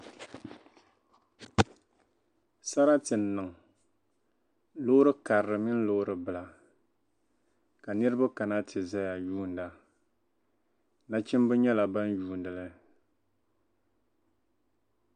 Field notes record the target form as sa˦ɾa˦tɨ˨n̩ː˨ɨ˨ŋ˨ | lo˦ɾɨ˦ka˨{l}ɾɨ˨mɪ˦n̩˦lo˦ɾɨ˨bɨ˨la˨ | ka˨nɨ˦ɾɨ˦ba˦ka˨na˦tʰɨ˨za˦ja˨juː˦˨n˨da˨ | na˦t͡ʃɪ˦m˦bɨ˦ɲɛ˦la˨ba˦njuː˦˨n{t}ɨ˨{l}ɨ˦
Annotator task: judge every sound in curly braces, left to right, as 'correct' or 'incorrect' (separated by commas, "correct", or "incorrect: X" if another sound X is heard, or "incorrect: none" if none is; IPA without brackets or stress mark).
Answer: incorrect: ɾ, incorrect: d, correct